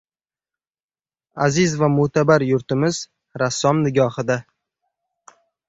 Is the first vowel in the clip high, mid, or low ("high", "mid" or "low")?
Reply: low